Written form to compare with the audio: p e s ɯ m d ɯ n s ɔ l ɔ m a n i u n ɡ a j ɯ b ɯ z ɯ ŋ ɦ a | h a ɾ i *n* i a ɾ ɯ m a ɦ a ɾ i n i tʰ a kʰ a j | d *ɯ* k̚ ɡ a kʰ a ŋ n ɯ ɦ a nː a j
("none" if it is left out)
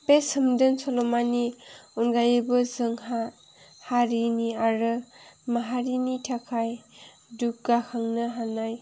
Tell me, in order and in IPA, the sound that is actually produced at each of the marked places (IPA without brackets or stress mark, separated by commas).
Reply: n, u